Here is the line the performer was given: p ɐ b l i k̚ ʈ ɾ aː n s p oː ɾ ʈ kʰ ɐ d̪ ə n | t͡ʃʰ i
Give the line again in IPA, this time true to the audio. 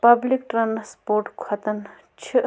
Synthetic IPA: p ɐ b l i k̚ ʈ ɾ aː n s p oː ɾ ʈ kʰ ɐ t̪ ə n | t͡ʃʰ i